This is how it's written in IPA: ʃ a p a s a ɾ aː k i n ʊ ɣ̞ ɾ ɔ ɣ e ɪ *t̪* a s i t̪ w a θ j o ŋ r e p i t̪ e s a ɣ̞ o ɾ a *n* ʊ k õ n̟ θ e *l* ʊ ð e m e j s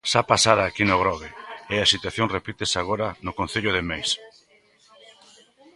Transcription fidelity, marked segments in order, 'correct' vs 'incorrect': incorrect, correct, incorrect

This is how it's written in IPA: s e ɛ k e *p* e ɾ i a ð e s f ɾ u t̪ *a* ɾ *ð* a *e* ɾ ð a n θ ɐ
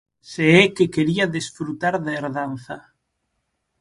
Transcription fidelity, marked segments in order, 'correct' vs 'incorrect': incorrect, correct, correct, correct

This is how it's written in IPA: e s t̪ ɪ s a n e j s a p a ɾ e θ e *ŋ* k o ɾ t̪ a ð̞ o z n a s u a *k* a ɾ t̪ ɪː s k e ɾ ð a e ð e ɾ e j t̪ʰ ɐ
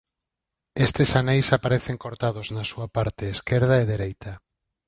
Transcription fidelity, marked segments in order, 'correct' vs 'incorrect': correct, incorrect

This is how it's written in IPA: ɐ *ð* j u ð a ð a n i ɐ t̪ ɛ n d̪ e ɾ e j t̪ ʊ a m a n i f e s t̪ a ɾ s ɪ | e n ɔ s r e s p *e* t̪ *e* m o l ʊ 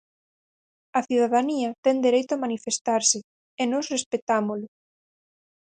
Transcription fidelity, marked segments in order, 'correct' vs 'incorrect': incorrect, correct, incorrect

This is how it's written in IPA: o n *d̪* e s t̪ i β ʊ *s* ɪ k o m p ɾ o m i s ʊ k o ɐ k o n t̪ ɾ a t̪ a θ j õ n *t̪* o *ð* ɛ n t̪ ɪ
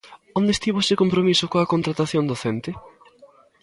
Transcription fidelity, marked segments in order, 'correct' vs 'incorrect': correct, correct, incorrect, incorrect

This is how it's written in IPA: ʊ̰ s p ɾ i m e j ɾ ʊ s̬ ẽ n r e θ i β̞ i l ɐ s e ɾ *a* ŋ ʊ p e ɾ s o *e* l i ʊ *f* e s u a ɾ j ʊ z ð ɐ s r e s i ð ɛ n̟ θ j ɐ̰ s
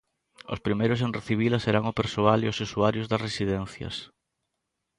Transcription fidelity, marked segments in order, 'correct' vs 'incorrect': correct, incorrect, incorrect

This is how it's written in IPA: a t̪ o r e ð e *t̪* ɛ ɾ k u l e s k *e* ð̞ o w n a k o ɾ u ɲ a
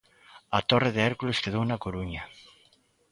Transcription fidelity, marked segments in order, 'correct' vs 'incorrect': incorrect, correct

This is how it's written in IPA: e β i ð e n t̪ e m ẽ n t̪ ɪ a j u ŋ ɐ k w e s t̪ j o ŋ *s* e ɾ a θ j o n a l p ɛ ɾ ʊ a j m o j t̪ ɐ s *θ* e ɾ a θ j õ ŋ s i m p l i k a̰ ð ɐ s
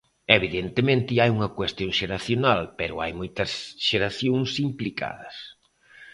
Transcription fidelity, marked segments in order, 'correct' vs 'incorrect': incorrect, incorrect

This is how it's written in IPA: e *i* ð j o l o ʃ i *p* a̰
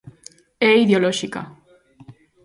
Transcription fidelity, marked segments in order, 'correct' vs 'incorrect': correct, incorrect

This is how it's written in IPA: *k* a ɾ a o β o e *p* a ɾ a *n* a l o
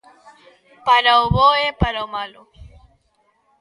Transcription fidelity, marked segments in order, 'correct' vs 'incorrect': incorrect, correct, incorrect

